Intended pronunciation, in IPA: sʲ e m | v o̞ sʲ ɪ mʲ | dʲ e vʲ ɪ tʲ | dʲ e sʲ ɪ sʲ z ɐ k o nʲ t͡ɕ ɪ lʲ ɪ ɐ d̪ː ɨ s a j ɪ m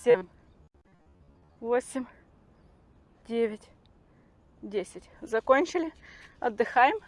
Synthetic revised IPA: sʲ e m | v o̞ sʲ ɪ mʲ | dʲ e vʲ ɪ tʲ | dʲ e sʲ ɪ tʲ z ɐ k o nʲ t͡ɕ ɪ lʲ ɪ ɐ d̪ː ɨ x a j ɪ m

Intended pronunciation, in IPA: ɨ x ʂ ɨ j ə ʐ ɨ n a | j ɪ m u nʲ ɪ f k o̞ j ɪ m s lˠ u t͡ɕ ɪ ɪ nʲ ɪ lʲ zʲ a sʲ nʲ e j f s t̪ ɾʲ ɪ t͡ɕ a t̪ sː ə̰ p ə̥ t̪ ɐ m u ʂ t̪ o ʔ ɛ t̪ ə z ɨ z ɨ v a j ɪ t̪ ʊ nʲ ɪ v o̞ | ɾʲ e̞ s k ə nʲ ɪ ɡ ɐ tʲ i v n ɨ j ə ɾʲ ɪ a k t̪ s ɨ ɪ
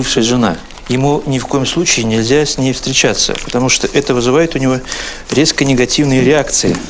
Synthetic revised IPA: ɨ f ʂ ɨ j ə ʐ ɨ n a | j ɪ m u nʲ ɪ f k o̞ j ɪ m s lˠ u t͡ɕ ɪ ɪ nʲ ɪ lʲ zʲ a sʲ nʲ e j f s t̪ ɾʲ ɪ t͡ɕ a t̪ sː ə̰ p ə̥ t̪ ɐ m u ʂ t̪ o ʔ ɛ t̪ ə v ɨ z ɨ v a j ɪ t̪ ʊ nʲ ɪ v o̞ | ɾʲ e̞ s k ə nʲ ɪ ɡ ɐ tʲ i v n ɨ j ə ɾʲ ɪ a k t̪ s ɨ ɪ

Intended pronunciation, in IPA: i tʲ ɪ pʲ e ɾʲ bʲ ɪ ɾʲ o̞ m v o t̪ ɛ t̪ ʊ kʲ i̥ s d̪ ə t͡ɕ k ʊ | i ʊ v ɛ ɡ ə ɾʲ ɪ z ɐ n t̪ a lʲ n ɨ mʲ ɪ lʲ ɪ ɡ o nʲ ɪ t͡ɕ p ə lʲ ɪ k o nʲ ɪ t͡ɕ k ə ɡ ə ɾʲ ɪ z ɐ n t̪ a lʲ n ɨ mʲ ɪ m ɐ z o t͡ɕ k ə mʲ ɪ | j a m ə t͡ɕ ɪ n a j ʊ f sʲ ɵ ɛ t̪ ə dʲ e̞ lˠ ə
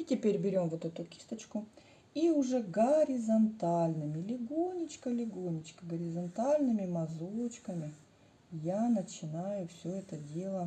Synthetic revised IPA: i tʲ ɪ pʲ e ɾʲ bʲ ɪ ɾʲ o̞ m v o t̪ ɛ t̪ ʊ kʲ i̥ s t̪ ə t͡ɕ k ʊ | i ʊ ʐ ɛ ɡ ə ɾʲ ɪ z ɐ n t̪ a lʲ n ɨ mʲ ɪ lʲ ɪ ɡ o nʲ ɪ t͡ɕ k ə lʲ ɪ ɡ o nʲ ɪ t͡ɕ k ə ɡ ə ɾʲ ɪ z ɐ n t̪ a lʲ n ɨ mʲ ɪ m ɐ z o t͡ɕ k ə mʲ ɪ | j a n ə t͡ɕ ɪ n a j ʊ f sʲ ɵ ɛ t̪ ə dʲ e̞ lˠ ə

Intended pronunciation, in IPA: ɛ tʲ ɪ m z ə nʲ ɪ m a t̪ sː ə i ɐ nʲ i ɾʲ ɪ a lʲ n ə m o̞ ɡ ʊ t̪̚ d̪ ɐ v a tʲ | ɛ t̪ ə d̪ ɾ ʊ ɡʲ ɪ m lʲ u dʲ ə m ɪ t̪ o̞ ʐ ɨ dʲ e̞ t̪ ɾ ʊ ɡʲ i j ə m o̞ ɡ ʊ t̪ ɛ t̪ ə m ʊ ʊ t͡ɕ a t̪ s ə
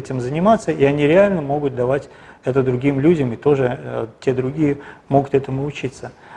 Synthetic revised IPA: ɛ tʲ ɪ m z ə nʲ ɪ m a t̪ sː ə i ɐ nʲ i ɾʲ ɪ a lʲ n ə m o̞ ɡ ʊ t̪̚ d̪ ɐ v a tʲ | ɛ t̪ ə d̪ ɾ ʊ ɡʲ i m lʲ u dʲ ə m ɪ t̪ o̞ ʐ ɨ tʲ e̞ d̪ ɾ ʊ ɡʲ i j ə m o̞ ɡ ʊ t̪ ɛ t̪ ə m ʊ ʊ t͡ɕ i t̪ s ə

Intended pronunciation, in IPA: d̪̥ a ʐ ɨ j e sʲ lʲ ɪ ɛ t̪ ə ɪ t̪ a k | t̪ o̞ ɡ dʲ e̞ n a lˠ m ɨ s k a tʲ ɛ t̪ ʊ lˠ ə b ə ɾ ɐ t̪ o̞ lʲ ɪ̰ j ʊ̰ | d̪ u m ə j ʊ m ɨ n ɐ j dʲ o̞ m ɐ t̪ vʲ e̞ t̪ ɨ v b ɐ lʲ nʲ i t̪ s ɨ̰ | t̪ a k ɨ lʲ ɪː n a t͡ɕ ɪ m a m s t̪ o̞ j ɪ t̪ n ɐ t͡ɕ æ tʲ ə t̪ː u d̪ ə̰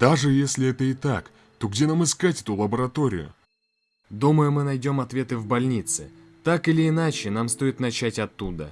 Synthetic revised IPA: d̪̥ a ʐ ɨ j e sʲ lʲ ɪ ɛ t̪ ə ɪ t̪ a k | t̪ o̞ ɡ dʲ e̞ n a m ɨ s k a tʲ ɛ t̪ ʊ lˠ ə b ə ɾ ɐ t̪ o̞ ɾʲ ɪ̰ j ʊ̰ | d̪ u m ə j ʊ m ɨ n ɐ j dʲ o̞ m ɐ t̪ vʲ e̞ t̪ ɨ v b ɐ lʲ nʲ i t̪ s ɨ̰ | t̪ a k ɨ lʲ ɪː n a t͡ɕ ɪ n a m s t̪ o̞ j ɪ t̪ n ɐ t͡ɕ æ tʲ ɐ t̪ː u d̪ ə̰

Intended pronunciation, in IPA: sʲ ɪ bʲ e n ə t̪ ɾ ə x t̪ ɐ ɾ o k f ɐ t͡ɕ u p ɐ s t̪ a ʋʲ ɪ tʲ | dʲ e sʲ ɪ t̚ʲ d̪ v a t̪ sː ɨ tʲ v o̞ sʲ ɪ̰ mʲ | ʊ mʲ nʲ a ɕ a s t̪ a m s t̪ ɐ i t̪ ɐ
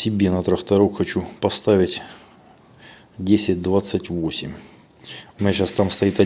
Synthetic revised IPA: sʲ ɪ bʲ e n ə t̪ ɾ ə x t̪ ɐ ɾ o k x ɐ t͡ɕ u p ɐ s t̪ a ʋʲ ɪ tʲ | dʲ e sʲ ɪ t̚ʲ d̪ v a t̪ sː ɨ tʲ v o̞ sʲ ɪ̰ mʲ | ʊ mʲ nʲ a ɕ a s t̪ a m s t̪ ɐ i t̪ ɐ

